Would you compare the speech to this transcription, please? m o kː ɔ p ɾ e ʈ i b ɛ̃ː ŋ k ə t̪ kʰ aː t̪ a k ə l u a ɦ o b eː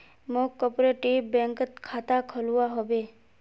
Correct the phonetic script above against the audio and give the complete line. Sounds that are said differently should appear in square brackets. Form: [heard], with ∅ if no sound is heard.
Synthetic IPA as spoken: m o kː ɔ p ɾ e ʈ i b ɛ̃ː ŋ k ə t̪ kʰ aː t̪ a [kʰ] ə l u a ɦ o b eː